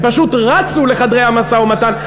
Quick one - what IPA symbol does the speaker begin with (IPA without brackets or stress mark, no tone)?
p